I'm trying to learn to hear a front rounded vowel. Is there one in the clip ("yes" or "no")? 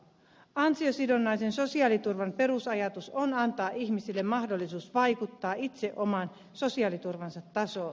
no